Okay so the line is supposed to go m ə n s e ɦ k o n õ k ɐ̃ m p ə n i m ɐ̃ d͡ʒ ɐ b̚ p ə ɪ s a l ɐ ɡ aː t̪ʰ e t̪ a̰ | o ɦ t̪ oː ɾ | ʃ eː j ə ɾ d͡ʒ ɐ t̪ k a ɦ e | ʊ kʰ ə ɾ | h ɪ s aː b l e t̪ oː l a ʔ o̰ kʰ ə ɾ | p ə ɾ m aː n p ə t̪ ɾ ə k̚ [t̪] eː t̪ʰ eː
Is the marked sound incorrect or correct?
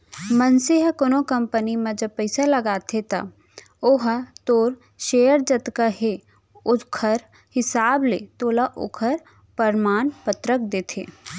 incorrect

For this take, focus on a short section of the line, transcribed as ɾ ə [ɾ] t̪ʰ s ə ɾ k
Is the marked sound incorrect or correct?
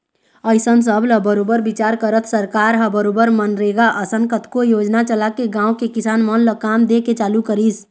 incorrect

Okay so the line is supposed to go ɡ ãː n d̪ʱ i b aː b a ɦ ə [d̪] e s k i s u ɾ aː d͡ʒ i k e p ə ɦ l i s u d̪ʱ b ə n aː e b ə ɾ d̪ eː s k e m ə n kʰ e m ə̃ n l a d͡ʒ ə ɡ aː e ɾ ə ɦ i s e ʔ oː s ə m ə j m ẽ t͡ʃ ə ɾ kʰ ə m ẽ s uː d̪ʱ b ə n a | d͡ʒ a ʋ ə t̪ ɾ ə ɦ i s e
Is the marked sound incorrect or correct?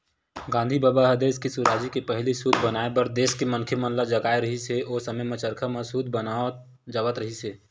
correct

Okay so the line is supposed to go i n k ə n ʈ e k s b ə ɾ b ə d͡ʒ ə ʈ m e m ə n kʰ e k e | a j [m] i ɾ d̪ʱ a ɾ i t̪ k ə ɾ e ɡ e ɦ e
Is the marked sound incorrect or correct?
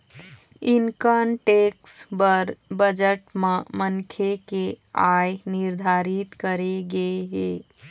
incorrect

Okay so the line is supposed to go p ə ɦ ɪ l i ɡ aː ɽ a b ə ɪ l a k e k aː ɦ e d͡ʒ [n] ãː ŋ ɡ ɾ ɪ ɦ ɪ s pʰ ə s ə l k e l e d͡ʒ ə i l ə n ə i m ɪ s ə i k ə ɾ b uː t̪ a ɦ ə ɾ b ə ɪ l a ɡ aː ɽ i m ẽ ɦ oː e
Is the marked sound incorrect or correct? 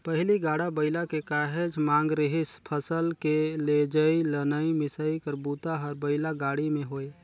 incorrect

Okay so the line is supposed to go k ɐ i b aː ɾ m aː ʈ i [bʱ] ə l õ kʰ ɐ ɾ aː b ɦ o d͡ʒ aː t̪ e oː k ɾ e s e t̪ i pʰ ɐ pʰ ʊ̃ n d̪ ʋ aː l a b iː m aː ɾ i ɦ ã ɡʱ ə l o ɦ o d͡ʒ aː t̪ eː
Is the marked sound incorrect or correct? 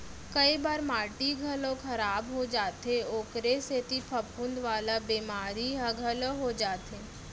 incorrect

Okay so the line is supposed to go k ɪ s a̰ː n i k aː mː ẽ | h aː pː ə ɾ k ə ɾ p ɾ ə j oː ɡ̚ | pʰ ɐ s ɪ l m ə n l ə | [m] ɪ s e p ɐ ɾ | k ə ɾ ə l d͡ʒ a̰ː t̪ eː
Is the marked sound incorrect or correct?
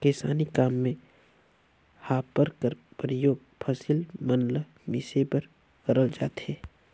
correct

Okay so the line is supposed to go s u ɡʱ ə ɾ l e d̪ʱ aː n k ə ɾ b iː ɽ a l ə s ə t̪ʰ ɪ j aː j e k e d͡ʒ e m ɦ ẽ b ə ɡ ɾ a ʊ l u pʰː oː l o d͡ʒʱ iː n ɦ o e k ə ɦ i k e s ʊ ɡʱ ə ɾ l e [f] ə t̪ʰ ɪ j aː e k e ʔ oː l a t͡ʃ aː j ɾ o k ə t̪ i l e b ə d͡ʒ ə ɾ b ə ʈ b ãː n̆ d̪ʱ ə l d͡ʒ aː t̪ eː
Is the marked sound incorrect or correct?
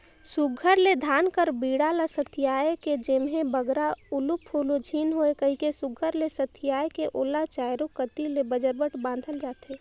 incorrect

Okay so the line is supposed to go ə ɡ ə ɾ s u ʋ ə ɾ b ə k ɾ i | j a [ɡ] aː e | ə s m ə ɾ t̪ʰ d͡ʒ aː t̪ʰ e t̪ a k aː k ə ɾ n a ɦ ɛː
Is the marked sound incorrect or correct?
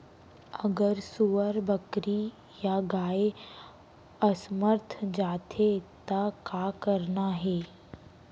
correct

